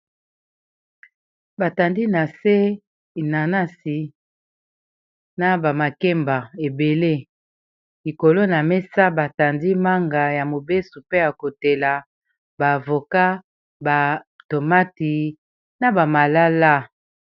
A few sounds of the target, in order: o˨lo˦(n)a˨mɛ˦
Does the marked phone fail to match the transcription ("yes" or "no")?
no